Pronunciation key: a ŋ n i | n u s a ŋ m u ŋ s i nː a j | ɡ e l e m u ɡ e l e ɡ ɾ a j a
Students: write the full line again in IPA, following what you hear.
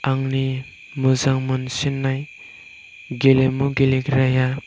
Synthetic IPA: a ŋ n i | m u z a ŋ m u n s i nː a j | ɡ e l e m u ɡ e l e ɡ ɾ a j a